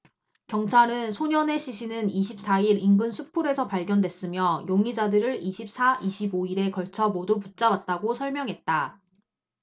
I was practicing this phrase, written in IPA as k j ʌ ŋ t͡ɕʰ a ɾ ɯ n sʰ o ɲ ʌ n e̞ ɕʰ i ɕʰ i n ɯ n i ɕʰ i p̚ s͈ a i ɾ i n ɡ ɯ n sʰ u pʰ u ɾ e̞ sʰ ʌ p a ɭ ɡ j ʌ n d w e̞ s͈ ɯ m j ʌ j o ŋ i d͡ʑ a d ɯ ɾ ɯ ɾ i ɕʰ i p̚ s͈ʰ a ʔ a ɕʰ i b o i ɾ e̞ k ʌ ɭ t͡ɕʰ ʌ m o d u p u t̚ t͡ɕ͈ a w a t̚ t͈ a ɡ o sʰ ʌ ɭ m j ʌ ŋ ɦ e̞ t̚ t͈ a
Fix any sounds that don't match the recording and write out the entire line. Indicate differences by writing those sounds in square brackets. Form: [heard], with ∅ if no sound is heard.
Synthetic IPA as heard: k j ʌ ŋ t͡ɕʰ a ɾ ɯ n sʰ o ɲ ʌ n e̞ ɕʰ i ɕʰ i n ɯ n i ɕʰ i p̚ s͈ a i ɾ i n ɡ ɯ n sʰ u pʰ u ɾ e̞ sʰ ʌ p a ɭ ɡ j ʌ n d w e̞ s͈ ɯ m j ʌ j o ŋ i d͡ʑ a d ɯ ɾ ɯ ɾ i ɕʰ i p̚ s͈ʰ a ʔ [i] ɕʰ i b o i ɾ e̞ k ʌ ɭ t͡ɕʰ ʌ m o d u p u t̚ t͡ɕ͈ a w a t̚ t͈ a ɡ o sʰ ʌ ɭ m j ʌ ŋ ɦ e̞ t̚ t͈ a

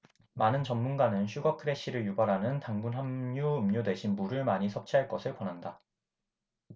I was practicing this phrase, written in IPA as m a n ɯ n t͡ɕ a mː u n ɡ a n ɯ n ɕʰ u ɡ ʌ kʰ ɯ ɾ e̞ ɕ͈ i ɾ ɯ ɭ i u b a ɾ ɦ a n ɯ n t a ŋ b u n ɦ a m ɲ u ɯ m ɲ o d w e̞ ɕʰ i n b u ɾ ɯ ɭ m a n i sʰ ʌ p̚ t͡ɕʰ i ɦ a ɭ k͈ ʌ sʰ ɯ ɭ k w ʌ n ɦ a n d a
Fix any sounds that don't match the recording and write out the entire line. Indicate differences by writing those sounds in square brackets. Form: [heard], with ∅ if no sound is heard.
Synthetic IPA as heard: m a n ɯ n t͡ɕ [ʌ] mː u n ɡ a n ɯ n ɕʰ u ɡ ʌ kʰ ɯ ɾ e̞ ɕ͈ i ɾ ɯ ɭ [j] u b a ɾ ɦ a n ɯ n t a ŋ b u n ɦ a m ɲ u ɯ m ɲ o d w e̞ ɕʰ i n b u ɾ ɯ ɭ m a [ɲ] i sʰ ʌ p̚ t͡ɕʰ i ɦ a ɭ k͈ ʌ sʰ ɯ ɭ k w ʌ n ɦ a n d a

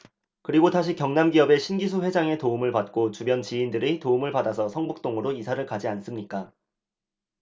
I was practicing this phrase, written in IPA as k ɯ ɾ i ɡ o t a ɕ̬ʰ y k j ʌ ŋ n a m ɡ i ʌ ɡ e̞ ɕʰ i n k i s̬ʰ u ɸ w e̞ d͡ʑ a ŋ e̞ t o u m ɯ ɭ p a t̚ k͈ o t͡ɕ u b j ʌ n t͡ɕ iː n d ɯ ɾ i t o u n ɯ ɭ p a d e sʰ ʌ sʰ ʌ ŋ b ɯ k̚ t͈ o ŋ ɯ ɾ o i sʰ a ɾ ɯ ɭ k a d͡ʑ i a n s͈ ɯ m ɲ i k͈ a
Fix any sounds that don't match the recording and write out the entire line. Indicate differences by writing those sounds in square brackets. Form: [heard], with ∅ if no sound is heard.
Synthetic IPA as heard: k ɯ ɾ i ɡ o t a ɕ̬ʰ [i] k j ʌ ŋ n a m ɡ i ʌ [b] e̞ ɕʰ i n [ɡ] i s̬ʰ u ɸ w e̞ d͡ʑ a ŋ e̞ t o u m ɯ ɭ p a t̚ k͈ o t͡ɕ u b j ʌ n t͡ɕ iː n d ɯ ɾ i t o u [m] ɯ ɭ p a d [a] sʰ ʌ sʰ ʌ ŋ b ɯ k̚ t͈ o ŋ ɯ ɾ o i sʰ a ɾ ɯ ɭ k a d͡ʑ i a n s͈ ɯ m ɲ i k͈ a

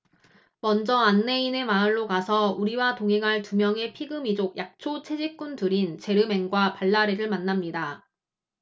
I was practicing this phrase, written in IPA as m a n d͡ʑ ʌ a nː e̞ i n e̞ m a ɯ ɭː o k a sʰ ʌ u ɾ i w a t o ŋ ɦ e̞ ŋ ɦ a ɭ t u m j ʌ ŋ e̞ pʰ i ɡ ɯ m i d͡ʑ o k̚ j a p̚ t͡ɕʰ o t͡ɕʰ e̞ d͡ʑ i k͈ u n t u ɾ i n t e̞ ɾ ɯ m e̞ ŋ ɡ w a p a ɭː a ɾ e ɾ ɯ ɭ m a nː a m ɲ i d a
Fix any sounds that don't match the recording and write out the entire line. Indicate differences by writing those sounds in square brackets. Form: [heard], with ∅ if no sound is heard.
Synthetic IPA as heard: m [ʌ] n d͡ʑ ʌ a nː e̞ i n e̞ m a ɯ ɭː o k a sʰ ʌ u ɾ i w a t o ŋ ɦ e̞ ŋ ɦ a ɭ t u m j ʌ ŋ e̞ pʰ i ɡ ɯ m i d͡ʑ o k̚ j a [k̚] t͡ɕʰ o t͡ɕʰ e̞ d͡ʑ i k͈ u n t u ɾ i n [t͡ɕ] e̞ ɾ ɯ m e̞ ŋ ɡ w a p a ɭː a ɾ e ɾ ɯ ɭ m a nː a m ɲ i d a

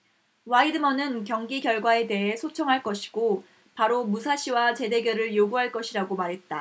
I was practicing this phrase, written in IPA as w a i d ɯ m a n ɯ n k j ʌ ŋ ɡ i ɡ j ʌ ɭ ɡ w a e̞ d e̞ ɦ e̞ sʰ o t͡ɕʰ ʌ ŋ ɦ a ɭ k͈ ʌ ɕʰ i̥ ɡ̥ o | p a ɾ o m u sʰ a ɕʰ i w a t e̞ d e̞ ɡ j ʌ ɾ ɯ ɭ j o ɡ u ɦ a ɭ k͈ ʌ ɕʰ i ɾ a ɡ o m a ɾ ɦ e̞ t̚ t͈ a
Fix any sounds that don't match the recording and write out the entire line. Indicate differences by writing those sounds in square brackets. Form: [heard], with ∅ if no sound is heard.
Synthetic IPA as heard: w a i d ɯ m [ʌ] n ɯ n k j ʌ ŋ ɡ i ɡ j ʌ ɭ ɡ w a e̞ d e̞ ɦ e̞ sʰ o t͡ɕʰ ʌ ŋ ɦ a ɭ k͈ ʌ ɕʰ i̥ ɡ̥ o | p a ɾ o m u sʰ a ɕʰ i w a [t͡ɕ] e̞ d e̞ ɡ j ʌ ɾ ɯ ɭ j o ɡ u ɦ a ɭ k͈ ʌ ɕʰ i ɾ a ɡ o m a ɾ ɦ e̞ t̚ t͈ a

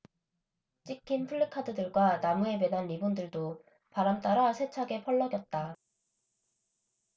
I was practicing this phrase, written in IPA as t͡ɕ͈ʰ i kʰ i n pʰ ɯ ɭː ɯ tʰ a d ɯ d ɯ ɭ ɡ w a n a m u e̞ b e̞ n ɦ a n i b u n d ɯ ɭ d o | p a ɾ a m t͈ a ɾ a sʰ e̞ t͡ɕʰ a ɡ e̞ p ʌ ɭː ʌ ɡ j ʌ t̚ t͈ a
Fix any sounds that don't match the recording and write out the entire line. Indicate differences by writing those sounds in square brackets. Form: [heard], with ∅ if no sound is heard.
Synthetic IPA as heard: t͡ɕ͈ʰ i kʰ i n pʰ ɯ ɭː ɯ [kʰ] a d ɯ d ɯ ɭ ɡ w a n a m u e̞ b e̞ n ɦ a n i b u n d ɯ ɭ d o | p a ɾ a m t͈ a ɾ a sʰ e̞ t͡ɕʰ a ɡ e̞ [pʰ] ʌ ɭː ʌ ɡ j ʌ t̚ t͈ a

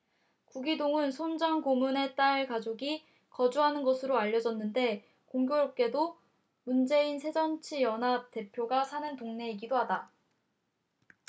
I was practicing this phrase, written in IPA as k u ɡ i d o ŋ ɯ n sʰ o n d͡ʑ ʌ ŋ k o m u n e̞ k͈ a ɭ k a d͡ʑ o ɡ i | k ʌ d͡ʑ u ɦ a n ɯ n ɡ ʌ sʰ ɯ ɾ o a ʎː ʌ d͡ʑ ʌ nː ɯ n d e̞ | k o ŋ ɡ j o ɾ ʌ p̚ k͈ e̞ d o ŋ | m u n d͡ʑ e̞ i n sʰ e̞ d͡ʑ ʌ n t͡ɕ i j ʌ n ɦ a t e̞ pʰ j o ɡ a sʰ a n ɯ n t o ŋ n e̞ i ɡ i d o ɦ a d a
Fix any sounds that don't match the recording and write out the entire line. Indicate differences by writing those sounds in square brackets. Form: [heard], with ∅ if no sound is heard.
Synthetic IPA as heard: k u ɡ i d o ŋ ɯ n sʰ o n d͡ʑ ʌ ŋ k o m u n e̞ [t͈] a ɭ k a d͡ʑ o ɡ i | k ʌ d͡ʑ u ɦ a n ɯ n ɡ ʌ sʰ ɯ ɾ o a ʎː ʌ d͡ʑ ʌ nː ɯ n d e̞ | k o ŋ ɡ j o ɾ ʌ p̚ k͈ e̞ d o [∅] | m u n d͡ʑ e̞ i n sʰ e̞ d͡ʑ ʌ n [t͡ɕʰ] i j ʌ n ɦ a t e̞ pʰ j o ɡ a sʰ a n ɯ n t o ŋ n e̞ i ɡ i d o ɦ a d a

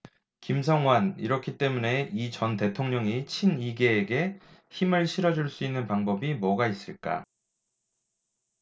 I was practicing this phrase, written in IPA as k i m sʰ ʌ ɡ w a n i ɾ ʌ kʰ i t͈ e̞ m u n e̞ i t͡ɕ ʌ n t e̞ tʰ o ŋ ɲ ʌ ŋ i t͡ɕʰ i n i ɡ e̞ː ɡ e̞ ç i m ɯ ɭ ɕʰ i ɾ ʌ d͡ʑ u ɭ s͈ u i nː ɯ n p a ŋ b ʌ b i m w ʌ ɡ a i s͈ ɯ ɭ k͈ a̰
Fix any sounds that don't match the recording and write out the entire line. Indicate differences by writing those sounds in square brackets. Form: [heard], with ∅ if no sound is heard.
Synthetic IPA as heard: k i m sʰ ʌ [ŋ] w a n i ɾ ʌ kʰ i t͈ e̞ m u n e̞ i t͡ɕ ʌ n t e̞ tʰ o ŋ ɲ ʌ ŋ i t͡ɕʰ i n i ɡ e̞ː ɡ e̞ ç i m ɯ ɭ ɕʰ i ɾ ʌ d͡ʑ u ɭ s͈ u i nː ɯ n p a ŋ b ʌ b i m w ʌ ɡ a i s͈ ɯ ɭ k͈ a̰

